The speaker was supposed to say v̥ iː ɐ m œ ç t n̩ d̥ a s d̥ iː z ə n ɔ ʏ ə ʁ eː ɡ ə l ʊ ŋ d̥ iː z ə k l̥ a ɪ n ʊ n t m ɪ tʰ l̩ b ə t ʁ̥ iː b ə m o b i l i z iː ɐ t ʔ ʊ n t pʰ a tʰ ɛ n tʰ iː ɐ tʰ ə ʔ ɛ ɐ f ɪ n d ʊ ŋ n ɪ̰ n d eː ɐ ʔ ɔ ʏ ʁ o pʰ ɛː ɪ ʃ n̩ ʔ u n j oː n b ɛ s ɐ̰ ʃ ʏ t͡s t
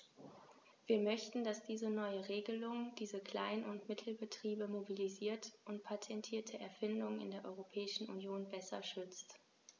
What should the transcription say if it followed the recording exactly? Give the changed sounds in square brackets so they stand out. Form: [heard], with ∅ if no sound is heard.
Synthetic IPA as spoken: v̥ iː ɐ m œ ç t n̩ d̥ a s d̥ iː z ə n ɔ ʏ ə ʁ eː ɡ ə l ʊ ŋ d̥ iː z ə k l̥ a ɪ n ʊ n t m ɪ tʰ l̩ b ə t ʁ̥ iː b ə m o b i l i z iː ɐ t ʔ ʊ n t pʰ a tʰ ɛ n tʰ iː ɐ tʰ ə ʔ ɛ ɐ f ɪ n d ʊ ŋ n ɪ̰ n d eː ɐ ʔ ɔ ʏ ʁ o pʰ ɛː ɪ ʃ n̩ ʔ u n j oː n b ɛ s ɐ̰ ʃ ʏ t͡s t

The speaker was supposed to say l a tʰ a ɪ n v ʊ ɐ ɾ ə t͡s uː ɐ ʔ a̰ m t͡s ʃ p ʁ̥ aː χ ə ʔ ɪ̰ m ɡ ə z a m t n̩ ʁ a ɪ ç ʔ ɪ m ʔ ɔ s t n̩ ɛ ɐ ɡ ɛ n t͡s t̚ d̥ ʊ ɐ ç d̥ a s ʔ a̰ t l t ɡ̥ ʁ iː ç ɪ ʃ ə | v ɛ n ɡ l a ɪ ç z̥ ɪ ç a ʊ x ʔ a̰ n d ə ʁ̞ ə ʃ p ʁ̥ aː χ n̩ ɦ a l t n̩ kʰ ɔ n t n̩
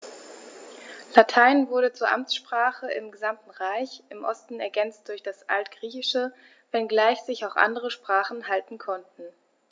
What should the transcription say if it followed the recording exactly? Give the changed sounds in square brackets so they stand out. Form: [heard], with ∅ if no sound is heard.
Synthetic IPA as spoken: l a tʰ a ɪ n v ʊ ɐ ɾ ə t͡s uː ɐ ʔ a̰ m t͡s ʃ p ʁ̥ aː χ ə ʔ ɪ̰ m ɡ ə z a m t n̩ ʁ a ɪ ç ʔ ɪ m ʔ ɔ s t n̩ ɛ ɐ ɡ ɛ n t͡s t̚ d̥ ʊ ɐ ç d̥ a s ʔ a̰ [∅] l t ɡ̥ ʁ iː ç ɪ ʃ ə | v ɛ n ɡ l a ɪ ç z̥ ɪ ç a ʊ x ʔ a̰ n d ə ʁ̞ ə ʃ p ʁ̥ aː χ n̩ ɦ a l t n̩ kʰ ɔ n t n̩

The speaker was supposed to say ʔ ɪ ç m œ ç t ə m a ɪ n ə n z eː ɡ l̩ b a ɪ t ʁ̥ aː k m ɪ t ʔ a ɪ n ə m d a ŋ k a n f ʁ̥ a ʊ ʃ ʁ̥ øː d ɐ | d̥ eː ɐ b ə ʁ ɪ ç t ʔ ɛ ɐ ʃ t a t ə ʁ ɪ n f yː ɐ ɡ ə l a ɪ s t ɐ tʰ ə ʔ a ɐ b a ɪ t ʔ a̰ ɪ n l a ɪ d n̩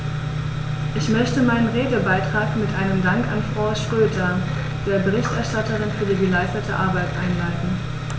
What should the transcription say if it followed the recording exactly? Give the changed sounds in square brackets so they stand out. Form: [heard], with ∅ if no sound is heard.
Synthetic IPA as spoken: ʔ ɪ ç m œ ç t ə m a ɪ n ə n [ʁ] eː ɡ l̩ b a ɪ t ʁ̥ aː k m ɪ t ʔ a ɪ n ə m d a ŋ k a n f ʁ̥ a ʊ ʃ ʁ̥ øː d ɐ | d̥ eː ɐ b ə ʁ ɪ ç t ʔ ɛ ɐ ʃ t a t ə ʁ ɪ n f yː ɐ ɡ ə l a ɪ s t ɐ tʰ ə ʔ a ɐ b a ɪ t ʔ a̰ ɪ n l a ɪ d n̩

